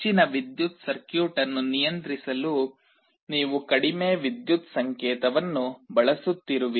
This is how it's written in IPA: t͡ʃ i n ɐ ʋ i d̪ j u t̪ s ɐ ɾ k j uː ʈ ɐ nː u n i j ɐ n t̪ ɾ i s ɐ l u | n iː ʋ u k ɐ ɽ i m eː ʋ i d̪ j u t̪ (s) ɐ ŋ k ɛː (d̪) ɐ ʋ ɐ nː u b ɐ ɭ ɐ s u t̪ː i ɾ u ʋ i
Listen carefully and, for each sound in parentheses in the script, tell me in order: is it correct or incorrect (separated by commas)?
correct, incorrect